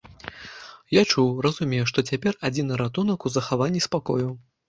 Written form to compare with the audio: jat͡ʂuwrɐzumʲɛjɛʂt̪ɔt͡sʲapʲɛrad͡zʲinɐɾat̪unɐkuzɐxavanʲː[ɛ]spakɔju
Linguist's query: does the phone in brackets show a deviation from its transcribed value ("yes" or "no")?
yes